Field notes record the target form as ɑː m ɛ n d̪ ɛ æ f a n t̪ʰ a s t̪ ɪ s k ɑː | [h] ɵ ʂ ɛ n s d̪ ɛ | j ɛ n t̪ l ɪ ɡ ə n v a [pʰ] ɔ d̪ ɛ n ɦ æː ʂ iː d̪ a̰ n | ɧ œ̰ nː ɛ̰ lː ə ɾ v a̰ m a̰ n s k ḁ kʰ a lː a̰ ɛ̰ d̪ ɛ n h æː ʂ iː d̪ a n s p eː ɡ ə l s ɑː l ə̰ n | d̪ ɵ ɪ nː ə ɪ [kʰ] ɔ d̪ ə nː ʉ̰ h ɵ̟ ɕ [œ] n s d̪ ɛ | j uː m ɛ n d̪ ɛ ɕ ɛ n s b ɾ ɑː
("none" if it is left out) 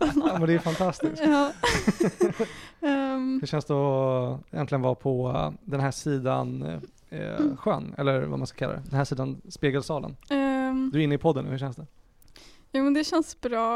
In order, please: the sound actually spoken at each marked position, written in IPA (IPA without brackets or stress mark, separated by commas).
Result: h, pʰ, pʰ, ɛ